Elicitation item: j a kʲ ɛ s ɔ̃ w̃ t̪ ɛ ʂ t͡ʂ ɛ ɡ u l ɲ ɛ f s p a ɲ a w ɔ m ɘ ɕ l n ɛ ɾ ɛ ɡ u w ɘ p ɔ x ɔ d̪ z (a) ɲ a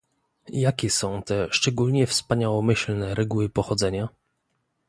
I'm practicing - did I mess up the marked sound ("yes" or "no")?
yes